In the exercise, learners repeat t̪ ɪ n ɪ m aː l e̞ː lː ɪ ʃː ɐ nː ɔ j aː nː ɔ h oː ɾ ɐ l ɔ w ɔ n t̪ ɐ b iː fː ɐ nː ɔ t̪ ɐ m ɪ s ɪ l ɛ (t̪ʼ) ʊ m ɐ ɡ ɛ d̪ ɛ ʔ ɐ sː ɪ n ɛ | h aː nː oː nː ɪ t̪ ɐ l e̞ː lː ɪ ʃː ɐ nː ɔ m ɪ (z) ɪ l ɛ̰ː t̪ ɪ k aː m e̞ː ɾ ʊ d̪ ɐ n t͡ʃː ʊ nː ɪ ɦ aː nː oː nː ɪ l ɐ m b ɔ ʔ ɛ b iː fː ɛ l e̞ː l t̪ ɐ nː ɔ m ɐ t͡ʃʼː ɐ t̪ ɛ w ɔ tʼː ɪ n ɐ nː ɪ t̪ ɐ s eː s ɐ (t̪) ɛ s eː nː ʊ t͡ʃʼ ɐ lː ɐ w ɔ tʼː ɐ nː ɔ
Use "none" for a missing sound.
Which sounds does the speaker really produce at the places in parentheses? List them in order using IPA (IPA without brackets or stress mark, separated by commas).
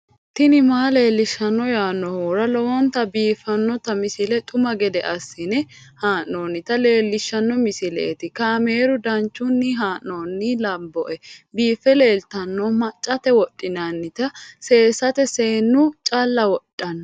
t̪ʼ, s, t̪